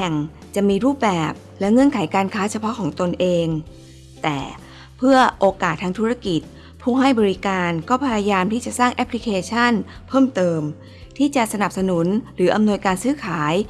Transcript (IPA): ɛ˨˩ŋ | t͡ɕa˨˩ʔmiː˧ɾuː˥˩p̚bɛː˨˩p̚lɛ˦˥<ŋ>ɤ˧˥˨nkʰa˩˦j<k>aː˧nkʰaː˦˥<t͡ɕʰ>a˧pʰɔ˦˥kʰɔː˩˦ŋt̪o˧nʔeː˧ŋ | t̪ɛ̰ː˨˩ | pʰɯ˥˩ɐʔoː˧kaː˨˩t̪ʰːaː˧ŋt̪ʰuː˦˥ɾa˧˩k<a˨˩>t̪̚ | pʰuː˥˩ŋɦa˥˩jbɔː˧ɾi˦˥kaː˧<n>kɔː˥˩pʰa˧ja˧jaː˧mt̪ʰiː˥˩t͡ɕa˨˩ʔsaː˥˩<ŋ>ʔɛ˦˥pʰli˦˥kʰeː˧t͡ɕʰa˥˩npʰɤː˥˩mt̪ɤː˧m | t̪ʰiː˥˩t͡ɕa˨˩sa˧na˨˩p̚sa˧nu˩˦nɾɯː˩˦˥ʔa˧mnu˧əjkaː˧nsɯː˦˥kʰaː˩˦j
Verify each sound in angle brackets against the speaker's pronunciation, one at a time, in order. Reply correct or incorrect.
correct, correct, correct, incorrect: i˨˩, correct, correct

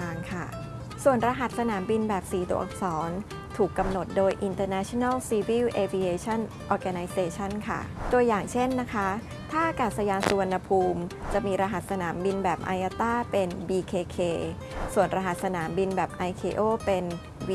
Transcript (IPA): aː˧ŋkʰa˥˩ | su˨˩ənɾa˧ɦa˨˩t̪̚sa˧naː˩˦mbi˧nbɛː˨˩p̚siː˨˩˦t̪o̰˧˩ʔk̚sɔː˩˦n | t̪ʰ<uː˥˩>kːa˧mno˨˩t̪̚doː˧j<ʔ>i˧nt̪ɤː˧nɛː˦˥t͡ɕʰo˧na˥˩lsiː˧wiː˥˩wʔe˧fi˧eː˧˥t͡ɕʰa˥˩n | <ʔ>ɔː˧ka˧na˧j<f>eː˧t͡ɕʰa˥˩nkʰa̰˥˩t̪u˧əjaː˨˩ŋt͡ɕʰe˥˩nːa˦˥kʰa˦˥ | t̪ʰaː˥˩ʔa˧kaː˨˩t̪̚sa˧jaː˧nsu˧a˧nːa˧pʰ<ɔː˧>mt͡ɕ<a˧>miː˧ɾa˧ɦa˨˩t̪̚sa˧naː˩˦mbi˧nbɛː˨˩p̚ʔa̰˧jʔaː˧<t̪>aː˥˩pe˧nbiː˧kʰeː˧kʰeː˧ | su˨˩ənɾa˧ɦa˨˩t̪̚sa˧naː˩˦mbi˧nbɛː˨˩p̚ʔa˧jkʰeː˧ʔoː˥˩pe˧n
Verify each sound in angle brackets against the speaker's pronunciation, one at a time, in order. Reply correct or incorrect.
incorrect: uː˨˩, correct, correct, incorrect: s, incorrect: uː˧, incorrect: a˨˩, correct

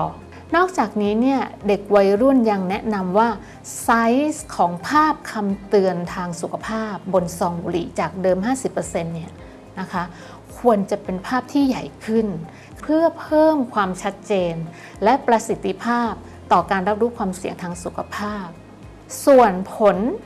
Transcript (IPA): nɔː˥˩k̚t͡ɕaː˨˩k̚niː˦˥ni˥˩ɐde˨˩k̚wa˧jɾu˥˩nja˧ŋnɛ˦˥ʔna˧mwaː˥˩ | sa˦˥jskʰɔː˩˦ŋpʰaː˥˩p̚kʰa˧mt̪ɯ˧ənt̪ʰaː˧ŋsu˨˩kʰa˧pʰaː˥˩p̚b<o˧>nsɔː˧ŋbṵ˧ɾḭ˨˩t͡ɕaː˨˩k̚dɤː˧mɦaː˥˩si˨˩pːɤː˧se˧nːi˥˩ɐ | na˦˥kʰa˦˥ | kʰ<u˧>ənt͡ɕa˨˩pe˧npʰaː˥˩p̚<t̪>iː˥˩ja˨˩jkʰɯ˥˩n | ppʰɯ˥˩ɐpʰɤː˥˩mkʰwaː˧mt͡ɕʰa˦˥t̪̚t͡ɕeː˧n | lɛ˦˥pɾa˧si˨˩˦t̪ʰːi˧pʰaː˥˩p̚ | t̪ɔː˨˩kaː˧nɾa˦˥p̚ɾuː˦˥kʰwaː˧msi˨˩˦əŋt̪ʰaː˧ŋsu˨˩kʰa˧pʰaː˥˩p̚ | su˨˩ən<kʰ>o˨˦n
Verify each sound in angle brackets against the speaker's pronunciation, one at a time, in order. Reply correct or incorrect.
correct, correct, incorrect: t̪ʰ, incorrect: pʰ

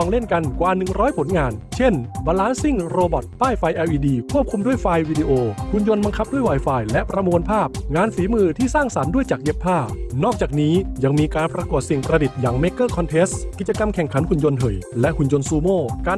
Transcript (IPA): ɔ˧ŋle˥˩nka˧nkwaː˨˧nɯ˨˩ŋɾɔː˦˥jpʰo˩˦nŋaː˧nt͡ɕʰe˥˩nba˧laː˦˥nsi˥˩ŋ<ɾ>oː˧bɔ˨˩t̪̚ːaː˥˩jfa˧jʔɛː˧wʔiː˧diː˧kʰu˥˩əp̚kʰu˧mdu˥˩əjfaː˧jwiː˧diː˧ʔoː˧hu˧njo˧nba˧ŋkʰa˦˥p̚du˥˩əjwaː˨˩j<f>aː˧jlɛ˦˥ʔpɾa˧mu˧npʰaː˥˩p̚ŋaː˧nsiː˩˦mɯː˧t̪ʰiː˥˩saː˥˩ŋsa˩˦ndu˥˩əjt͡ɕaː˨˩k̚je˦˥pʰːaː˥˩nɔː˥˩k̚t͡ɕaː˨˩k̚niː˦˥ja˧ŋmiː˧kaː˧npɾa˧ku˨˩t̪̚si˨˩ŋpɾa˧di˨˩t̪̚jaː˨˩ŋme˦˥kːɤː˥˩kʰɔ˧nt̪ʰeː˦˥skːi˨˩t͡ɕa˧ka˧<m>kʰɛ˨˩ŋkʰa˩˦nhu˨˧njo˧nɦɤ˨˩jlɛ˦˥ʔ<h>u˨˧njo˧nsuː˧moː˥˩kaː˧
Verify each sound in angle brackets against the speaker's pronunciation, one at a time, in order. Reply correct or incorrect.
correct, correct, correct, correct

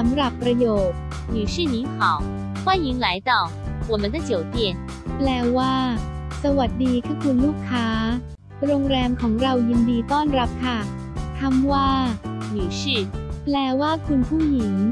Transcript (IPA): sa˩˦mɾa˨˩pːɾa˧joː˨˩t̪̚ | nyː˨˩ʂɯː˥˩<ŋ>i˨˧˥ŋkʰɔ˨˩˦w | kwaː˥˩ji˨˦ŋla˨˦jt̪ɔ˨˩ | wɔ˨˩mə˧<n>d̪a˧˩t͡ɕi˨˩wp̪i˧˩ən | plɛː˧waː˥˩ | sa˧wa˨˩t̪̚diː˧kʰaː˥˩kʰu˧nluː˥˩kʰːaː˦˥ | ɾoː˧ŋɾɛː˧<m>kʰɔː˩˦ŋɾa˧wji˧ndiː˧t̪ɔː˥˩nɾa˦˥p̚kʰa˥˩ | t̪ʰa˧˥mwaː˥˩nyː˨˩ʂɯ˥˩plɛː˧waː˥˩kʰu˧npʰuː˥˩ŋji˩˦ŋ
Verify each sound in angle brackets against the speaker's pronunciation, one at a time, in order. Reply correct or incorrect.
incorrect: n, correct, correct

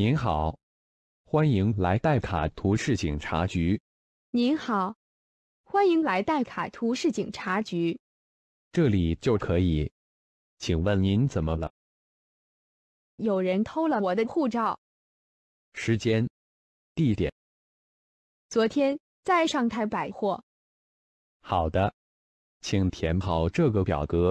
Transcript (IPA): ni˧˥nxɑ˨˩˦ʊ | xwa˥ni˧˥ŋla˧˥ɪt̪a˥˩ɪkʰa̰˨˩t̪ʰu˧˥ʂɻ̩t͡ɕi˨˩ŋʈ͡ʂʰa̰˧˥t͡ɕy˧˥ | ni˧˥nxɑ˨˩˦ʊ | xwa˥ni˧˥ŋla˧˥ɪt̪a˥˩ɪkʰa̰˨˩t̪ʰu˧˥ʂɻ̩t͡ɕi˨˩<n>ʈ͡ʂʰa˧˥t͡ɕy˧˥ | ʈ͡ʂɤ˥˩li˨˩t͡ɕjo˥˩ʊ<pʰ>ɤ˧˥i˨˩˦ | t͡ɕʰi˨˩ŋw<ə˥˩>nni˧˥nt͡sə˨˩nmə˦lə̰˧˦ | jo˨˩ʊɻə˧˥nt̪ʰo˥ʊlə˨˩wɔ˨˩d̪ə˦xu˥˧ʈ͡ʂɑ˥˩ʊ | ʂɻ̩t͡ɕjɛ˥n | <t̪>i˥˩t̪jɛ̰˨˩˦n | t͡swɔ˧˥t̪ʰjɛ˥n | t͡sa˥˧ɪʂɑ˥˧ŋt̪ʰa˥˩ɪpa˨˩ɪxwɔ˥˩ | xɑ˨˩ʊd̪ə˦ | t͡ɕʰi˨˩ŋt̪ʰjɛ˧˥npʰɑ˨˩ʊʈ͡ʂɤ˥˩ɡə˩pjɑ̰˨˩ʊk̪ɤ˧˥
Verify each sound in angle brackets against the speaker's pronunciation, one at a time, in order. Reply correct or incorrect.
incorrect: ŋ, incorrect: kʰ, correct, correct

